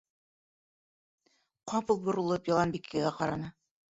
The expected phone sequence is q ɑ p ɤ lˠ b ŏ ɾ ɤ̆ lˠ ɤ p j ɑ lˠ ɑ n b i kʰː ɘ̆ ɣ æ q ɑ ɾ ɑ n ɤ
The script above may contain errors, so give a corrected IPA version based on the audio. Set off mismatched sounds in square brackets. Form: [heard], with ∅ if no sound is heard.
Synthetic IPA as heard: q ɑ p ɤ lˠ b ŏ ɾ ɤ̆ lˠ ɤ p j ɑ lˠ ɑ n b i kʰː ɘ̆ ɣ æ q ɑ ɾ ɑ n ɤ